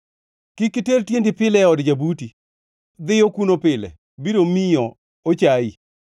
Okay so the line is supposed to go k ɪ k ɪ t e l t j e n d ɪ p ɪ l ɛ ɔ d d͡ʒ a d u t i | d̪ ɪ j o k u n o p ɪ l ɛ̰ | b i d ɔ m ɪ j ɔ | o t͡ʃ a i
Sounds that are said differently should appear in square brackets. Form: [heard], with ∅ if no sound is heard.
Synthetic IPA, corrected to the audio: k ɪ k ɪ t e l t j e n d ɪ p ɪ l ɛ ɔ d d͡ʒ a [b] u t i | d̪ ɪ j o k u n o p ɪ l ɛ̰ | b i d [o] m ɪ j ɔ | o t͡ʃ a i